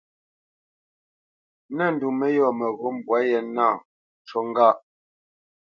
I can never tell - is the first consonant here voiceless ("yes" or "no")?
no